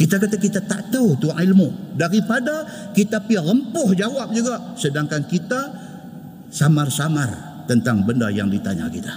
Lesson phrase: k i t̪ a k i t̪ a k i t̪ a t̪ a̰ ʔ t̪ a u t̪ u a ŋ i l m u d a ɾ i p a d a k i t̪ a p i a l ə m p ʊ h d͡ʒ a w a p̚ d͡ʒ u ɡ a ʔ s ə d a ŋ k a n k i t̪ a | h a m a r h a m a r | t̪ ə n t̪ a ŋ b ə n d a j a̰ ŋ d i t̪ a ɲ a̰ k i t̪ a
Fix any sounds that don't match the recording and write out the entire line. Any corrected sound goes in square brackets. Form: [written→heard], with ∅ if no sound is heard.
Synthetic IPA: k i t̪ a k [i→a] t̪ a k i t̪ a t̪ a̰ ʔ t̪ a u t̪ u a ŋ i l m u d a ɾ i p a d a k i t̪ a p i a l ə m p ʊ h d͡ʒ a w a p̚ d͡ʒ u ɡ a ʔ s ə d a ŋ k a n k i t̪ a | [h→s] a m a r [h→s] a m a r | t̪ ə n t̪ a ŋ b ə n d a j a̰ ŋ d i t̪ a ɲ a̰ k i t̪ a